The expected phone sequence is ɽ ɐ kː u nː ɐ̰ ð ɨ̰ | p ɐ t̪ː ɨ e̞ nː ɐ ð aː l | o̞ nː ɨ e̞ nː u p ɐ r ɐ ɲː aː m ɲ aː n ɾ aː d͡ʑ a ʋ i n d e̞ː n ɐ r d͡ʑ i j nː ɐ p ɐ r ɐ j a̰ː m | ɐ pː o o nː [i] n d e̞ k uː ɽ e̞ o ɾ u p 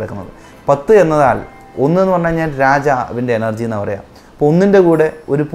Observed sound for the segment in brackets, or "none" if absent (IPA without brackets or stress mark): i